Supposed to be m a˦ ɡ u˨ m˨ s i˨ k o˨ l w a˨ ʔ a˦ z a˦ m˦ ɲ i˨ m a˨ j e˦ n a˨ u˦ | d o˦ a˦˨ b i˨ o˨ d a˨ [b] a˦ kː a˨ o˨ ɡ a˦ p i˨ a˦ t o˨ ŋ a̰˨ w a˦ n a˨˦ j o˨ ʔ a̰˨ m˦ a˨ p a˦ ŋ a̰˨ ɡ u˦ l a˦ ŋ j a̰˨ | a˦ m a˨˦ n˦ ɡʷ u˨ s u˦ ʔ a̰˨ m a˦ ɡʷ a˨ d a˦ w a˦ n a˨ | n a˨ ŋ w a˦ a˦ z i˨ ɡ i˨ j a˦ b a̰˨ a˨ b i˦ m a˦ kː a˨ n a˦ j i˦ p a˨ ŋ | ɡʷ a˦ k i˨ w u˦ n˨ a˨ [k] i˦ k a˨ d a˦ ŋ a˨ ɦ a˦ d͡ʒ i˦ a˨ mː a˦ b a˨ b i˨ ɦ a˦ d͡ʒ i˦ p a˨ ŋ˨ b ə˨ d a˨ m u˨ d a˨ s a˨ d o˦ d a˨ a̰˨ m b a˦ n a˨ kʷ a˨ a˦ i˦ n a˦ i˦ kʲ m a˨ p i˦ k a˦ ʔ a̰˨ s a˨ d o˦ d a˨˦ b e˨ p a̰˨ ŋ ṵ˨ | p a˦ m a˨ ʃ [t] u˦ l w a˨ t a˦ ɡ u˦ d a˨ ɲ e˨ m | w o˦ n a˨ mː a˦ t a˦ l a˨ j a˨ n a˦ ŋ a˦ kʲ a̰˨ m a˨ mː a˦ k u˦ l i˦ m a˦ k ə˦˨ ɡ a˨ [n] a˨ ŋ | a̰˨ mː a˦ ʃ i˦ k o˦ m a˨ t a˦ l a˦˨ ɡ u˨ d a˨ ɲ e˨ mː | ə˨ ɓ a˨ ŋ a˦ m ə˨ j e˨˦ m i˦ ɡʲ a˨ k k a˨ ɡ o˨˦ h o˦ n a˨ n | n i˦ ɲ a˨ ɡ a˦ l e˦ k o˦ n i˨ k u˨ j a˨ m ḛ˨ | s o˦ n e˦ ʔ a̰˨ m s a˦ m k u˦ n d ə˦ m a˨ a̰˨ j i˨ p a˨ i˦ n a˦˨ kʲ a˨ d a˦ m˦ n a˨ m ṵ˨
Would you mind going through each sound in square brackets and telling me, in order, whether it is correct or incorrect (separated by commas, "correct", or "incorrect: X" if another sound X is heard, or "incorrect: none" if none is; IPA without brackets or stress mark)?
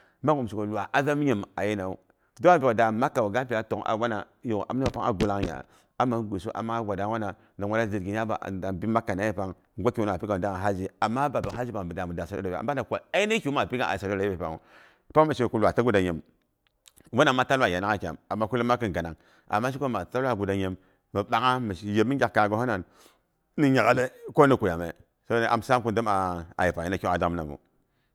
incorrect: m, incorrect: p, incorrect: k, correct